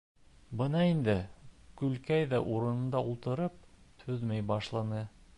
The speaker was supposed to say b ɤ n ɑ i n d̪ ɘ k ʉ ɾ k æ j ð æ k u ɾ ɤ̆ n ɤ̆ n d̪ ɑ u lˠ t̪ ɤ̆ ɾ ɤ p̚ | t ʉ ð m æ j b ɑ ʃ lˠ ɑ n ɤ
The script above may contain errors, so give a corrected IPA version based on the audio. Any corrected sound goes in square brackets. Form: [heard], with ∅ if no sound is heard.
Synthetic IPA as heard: b ɤ n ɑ i n d̪ ɘ k ʉ [l] k æ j ð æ [ʔ] u ɾ ɤ̆ n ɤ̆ n d̪ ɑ u lˠ t̪ ɤ̆ ɾ ɤ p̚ | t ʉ ð m æ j b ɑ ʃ lˠ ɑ n ɤ